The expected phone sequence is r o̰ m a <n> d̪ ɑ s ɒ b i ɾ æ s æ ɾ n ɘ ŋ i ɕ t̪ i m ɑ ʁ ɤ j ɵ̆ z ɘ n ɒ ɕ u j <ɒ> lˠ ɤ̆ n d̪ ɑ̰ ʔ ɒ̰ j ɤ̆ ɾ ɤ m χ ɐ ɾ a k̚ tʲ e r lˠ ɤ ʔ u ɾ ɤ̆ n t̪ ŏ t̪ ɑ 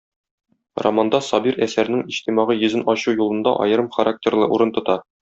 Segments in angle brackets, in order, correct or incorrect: correct, incorrect: u

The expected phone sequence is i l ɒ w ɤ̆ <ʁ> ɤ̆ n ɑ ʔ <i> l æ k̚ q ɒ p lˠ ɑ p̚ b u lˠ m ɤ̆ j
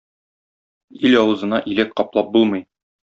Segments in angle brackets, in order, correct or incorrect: incorrect: z, correct

